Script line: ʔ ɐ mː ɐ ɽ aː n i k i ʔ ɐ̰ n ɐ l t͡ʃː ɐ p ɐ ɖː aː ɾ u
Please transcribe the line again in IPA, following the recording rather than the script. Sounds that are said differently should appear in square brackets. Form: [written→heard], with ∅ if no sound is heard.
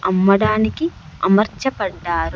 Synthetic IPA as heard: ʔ ɐ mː ɐ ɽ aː n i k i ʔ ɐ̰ [n→m] ɐ [l→ɾ] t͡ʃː ɐ p ɐ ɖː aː ɾ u